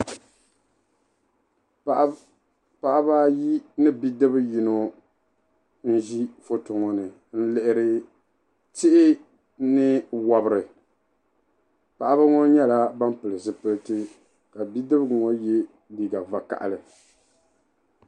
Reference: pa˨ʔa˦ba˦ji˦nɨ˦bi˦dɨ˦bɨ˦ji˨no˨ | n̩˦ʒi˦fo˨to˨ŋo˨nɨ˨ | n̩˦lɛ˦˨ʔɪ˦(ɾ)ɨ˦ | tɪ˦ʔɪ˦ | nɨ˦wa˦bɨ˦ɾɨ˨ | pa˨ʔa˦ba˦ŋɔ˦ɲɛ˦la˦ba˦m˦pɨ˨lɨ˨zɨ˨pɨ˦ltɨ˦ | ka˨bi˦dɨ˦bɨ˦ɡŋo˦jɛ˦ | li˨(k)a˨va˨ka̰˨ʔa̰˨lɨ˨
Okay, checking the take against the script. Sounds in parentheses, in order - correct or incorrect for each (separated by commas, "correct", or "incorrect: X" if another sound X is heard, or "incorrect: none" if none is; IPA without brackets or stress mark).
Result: correct, incorrect: ɡ